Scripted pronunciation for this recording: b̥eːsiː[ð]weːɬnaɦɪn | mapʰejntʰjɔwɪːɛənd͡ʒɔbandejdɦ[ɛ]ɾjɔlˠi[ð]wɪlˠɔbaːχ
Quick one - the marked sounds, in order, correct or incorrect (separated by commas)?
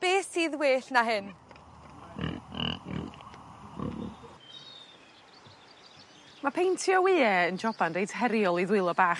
correct, correct, correct